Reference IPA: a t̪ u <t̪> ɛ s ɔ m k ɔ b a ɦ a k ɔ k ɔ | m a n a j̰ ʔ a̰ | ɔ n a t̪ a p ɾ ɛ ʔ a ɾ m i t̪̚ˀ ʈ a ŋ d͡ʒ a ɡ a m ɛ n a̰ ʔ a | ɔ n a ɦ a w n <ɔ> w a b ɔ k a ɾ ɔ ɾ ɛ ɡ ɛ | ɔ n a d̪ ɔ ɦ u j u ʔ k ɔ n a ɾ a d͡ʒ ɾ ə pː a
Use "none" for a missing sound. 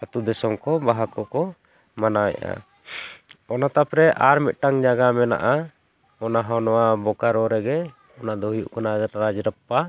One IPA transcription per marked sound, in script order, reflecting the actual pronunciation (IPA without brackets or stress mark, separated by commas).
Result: d̪, ɔ